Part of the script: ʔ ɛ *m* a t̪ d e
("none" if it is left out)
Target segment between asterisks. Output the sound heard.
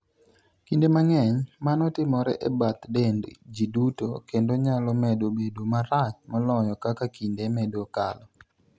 b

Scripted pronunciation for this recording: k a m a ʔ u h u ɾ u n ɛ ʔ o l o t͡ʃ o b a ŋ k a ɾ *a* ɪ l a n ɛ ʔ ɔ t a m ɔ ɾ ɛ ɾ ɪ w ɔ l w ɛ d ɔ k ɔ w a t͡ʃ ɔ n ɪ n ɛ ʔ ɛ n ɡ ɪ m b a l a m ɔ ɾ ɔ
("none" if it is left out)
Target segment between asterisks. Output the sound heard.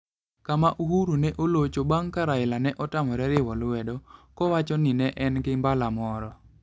a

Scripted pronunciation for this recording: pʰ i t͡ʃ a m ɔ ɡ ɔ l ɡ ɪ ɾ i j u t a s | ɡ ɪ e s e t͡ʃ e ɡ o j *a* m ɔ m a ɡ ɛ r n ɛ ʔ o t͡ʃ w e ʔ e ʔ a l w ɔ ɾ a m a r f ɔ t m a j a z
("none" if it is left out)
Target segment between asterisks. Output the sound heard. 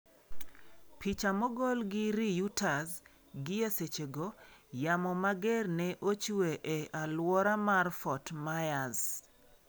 a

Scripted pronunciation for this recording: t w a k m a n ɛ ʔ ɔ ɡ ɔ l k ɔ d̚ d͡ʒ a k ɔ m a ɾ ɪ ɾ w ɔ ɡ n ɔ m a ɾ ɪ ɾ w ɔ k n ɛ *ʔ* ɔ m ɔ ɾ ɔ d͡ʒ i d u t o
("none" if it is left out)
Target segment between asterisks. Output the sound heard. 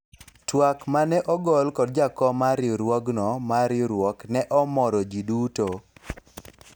ʔ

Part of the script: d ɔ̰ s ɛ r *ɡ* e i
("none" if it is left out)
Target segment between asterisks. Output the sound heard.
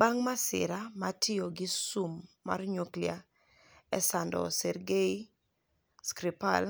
ɡ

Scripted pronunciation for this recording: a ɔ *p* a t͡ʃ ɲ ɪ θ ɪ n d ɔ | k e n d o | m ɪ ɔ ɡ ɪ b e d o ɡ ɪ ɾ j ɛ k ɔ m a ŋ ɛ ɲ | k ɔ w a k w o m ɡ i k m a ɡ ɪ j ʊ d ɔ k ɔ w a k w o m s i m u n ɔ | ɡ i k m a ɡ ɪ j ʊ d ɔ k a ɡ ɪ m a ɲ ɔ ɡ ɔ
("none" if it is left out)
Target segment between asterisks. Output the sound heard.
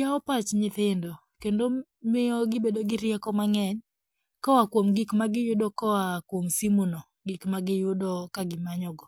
p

